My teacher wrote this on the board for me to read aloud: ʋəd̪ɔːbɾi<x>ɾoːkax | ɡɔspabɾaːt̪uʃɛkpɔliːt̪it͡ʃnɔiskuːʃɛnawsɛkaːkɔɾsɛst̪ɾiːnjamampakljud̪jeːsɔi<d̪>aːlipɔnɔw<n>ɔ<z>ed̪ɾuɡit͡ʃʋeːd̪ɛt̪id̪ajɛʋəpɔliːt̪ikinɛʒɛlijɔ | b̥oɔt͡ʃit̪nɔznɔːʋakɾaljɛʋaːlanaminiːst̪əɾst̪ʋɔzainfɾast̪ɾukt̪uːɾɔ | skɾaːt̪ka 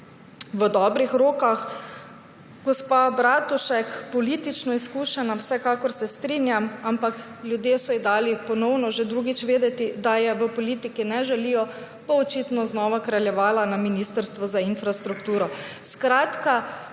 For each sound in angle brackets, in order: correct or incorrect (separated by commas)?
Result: correct, correct, correct, incorrect